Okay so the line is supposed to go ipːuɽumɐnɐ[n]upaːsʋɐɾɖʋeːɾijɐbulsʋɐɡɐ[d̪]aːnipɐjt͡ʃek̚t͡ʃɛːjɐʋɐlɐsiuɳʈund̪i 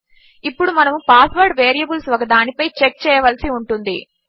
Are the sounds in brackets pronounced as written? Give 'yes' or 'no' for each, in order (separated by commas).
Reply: no, yes